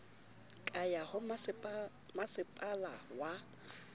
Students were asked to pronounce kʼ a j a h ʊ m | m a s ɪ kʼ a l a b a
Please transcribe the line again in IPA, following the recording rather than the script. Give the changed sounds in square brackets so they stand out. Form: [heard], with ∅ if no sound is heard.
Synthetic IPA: kʼ a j a h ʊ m | m a s ɪ [pʼ] a l a [w] a